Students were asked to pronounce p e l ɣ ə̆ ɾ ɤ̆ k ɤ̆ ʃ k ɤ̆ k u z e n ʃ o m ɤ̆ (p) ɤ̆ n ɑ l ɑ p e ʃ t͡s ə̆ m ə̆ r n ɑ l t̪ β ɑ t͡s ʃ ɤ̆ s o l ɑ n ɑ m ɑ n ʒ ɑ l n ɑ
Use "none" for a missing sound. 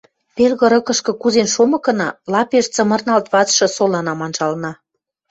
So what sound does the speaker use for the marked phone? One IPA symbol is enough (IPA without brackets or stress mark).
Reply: k